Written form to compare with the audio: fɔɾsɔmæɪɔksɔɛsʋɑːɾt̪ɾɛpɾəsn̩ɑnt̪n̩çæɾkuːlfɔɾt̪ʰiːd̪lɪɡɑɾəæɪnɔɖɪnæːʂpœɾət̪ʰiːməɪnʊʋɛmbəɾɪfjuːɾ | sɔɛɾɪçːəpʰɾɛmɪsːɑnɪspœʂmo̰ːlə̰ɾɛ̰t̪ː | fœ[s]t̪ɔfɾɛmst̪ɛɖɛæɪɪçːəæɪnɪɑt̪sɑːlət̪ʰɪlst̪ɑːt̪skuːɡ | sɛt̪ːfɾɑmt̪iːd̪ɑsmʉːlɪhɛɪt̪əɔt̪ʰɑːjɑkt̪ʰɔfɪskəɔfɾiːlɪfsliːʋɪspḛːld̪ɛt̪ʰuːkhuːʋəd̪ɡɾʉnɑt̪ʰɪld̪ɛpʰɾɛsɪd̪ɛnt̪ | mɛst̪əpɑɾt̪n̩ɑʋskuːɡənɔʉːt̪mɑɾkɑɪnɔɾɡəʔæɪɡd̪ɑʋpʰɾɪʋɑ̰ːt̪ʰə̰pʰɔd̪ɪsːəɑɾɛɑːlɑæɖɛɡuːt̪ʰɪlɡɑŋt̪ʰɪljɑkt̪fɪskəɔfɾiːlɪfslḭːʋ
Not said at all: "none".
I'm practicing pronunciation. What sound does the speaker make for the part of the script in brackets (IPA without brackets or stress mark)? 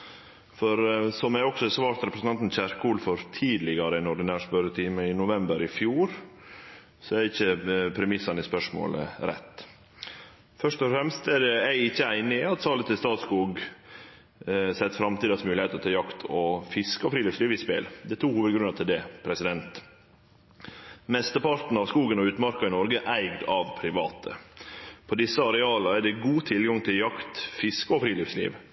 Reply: ʂ